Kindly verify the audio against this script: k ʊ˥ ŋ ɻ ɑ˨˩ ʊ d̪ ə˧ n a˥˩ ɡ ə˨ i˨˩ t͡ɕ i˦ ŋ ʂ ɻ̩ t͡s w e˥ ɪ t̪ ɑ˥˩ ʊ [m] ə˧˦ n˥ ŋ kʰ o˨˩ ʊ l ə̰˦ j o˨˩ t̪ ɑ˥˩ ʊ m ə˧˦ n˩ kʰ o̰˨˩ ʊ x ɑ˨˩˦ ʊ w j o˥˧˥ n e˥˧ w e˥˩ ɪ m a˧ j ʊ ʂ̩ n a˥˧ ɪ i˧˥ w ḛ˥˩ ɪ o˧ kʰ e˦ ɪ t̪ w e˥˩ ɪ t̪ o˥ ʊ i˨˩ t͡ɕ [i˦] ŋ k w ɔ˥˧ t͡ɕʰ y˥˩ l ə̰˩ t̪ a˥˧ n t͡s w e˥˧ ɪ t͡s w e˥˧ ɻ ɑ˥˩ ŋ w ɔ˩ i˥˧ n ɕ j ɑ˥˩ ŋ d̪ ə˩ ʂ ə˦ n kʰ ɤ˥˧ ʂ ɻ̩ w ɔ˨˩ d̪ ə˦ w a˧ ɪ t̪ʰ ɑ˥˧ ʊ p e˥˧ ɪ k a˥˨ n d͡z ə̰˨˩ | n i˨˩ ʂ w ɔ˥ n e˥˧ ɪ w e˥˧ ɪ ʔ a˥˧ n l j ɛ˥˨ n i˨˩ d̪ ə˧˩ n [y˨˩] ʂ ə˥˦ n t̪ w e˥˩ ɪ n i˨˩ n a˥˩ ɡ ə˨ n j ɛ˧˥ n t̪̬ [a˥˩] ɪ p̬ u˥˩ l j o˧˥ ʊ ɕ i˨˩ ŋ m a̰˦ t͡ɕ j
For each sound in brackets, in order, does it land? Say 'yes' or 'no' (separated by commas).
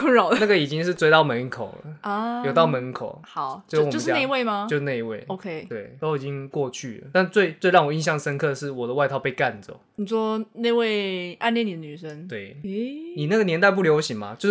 yes, yes, yes, no